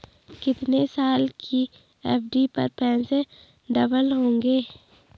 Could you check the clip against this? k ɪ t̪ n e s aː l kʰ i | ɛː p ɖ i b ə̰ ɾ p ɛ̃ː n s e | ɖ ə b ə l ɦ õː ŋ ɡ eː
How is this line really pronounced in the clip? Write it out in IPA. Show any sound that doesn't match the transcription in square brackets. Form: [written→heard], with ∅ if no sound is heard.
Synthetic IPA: k ɪ t̪ n e s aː l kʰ i | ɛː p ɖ i [b→p] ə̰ ɾ p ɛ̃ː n s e | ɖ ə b ə l ɦ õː ŋ ɡ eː